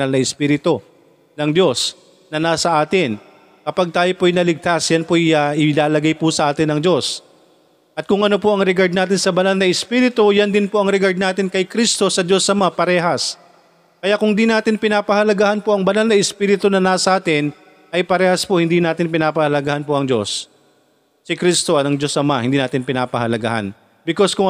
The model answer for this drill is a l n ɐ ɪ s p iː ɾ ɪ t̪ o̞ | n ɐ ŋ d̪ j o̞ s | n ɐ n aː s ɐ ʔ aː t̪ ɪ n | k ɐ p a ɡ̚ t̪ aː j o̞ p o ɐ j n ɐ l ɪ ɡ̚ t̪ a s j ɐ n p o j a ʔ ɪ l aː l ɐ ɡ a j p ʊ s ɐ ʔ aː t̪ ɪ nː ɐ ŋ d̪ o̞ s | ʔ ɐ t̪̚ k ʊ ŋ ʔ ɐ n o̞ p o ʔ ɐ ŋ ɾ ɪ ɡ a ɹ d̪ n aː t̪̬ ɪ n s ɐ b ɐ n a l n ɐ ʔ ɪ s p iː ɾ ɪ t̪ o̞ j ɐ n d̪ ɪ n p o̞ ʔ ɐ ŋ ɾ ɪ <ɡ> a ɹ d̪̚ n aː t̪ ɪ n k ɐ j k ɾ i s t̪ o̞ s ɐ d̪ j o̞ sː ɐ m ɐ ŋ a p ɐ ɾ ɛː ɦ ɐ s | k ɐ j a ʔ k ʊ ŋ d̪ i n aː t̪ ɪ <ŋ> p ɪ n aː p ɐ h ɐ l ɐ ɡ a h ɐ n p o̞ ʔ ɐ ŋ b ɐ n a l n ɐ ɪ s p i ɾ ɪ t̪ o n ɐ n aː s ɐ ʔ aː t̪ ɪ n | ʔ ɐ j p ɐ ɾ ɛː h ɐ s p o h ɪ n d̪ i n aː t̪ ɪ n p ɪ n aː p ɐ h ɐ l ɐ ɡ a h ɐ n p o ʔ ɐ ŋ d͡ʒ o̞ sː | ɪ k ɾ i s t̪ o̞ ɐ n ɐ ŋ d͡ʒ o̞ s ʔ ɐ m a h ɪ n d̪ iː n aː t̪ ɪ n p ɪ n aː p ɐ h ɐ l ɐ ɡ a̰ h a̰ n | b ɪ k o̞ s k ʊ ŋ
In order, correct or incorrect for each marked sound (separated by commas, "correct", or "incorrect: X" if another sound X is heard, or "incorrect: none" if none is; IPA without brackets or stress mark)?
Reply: correct, incorrect: n